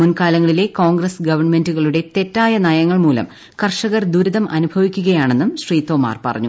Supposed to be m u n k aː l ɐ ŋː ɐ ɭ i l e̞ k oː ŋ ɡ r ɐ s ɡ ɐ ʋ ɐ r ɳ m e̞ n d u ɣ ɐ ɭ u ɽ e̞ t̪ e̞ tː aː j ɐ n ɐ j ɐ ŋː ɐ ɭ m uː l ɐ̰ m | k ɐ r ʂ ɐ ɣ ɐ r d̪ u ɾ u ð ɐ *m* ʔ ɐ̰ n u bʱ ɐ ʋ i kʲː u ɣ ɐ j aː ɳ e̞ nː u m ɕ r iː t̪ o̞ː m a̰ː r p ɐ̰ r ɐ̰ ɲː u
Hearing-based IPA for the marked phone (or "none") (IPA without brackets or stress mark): m